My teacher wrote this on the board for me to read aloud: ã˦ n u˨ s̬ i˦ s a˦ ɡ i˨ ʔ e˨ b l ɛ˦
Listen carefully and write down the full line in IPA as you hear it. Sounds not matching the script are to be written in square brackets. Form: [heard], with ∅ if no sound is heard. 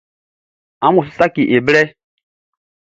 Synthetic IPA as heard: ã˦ [m] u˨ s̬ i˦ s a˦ [k] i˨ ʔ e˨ b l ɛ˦

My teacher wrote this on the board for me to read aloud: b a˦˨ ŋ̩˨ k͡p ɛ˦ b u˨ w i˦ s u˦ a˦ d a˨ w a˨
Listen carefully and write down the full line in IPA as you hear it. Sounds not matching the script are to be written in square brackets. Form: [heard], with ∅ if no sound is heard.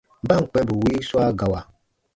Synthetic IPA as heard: b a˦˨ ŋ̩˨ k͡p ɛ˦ b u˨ w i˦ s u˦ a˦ [ɡ] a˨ w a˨

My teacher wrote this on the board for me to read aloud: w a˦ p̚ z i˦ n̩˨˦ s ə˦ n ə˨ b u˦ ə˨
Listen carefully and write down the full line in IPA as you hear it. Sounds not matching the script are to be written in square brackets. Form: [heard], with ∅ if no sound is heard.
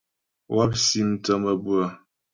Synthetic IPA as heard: w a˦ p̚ [s] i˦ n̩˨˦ [t] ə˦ [m] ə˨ b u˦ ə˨

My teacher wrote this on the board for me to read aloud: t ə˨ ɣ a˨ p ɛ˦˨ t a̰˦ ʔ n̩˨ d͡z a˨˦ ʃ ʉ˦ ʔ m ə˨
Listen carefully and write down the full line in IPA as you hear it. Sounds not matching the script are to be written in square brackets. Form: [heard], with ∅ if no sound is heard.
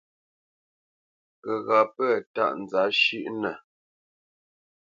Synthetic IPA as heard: [k] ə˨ ɣ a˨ p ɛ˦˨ t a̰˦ ʔ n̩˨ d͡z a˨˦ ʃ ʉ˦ ʔ [n] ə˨

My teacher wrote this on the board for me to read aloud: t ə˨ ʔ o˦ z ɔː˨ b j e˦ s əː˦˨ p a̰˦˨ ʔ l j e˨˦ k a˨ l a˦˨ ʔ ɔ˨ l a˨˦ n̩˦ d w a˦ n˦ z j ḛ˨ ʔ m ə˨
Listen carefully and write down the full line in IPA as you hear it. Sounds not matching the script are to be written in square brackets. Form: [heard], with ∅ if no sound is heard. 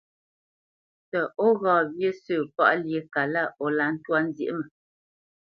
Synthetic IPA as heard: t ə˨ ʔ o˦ [ɣ] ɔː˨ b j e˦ s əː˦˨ p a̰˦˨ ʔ l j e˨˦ k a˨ l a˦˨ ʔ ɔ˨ l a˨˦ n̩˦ [t] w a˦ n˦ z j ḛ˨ ʔ m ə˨

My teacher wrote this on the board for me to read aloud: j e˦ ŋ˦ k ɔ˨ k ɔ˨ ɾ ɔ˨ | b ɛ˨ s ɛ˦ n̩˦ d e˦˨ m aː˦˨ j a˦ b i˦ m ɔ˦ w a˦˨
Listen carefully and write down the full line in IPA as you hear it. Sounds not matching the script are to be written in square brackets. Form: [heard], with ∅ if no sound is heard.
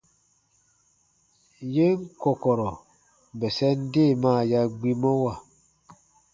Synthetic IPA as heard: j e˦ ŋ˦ k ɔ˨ k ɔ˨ ɾ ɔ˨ | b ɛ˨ s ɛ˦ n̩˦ d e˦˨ m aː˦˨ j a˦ [ɡ͡b] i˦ m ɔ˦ w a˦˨

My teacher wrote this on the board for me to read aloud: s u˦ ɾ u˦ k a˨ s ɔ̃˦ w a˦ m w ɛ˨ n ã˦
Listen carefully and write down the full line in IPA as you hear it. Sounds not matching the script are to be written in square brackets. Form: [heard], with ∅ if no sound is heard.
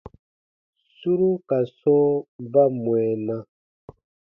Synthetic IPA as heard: s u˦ ɾ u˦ k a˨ s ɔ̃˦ [b] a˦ m w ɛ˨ n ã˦

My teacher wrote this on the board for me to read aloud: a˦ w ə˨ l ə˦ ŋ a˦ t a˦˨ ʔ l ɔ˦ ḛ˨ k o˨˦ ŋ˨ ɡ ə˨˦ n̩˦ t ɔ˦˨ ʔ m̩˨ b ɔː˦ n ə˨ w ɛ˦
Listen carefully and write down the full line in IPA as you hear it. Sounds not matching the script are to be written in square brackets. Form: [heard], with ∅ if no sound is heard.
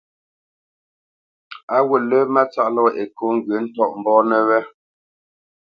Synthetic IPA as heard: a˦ w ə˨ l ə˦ [m] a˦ [t͡s] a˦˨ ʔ l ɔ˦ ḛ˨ k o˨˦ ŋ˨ ɡ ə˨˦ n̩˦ t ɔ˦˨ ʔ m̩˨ b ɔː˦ n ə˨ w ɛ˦

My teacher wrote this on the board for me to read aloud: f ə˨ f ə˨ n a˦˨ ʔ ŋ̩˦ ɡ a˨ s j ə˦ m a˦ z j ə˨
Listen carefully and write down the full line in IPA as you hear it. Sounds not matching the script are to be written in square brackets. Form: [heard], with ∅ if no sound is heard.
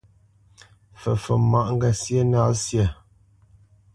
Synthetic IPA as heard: f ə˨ f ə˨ [m] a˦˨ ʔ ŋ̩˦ ɡ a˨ s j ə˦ [n] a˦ [s] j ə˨

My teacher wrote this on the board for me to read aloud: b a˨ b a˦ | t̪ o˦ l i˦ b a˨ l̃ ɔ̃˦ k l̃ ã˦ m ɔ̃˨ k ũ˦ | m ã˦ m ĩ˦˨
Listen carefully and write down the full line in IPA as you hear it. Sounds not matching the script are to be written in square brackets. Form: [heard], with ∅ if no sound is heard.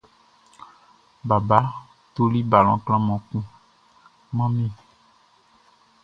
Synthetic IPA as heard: b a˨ b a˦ | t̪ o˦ l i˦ b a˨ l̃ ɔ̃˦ k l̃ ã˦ m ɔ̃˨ k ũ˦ | m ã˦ m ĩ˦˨

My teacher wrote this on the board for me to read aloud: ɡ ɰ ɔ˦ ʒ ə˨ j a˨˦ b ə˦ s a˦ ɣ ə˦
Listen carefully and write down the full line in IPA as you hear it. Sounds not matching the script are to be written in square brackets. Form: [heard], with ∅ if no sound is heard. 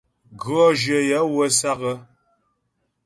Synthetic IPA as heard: ɡ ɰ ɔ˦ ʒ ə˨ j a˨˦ [w] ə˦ s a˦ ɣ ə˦

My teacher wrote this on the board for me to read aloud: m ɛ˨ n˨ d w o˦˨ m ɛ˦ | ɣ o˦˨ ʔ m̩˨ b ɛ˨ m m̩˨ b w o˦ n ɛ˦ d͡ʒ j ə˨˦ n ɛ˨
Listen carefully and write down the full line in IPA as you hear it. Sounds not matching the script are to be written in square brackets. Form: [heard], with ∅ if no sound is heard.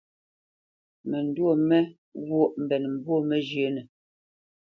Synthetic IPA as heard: m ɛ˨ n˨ d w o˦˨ m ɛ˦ | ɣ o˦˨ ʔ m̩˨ b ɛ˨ [n] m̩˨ b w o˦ [m] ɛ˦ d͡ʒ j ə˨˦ n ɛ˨

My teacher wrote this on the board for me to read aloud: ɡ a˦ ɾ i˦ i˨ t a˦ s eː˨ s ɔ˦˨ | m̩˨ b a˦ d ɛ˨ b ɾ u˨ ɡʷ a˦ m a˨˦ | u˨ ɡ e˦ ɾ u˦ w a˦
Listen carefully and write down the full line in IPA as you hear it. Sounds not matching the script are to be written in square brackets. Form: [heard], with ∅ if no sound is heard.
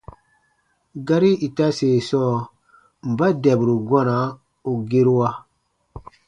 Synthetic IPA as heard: ɡ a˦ ɾ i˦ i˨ t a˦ s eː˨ s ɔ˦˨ | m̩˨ b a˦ d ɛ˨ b ɾ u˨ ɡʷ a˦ [n] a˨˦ | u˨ ɡ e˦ ɾ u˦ w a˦

